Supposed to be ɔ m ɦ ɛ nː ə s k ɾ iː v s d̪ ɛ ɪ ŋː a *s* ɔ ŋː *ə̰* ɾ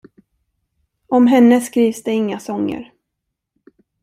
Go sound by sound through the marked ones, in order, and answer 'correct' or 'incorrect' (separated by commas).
correct, correct